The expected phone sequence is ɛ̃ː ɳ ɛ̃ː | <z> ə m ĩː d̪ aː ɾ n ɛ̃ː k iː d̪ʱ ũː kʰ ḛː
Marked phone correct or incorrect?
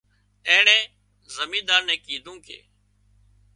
correct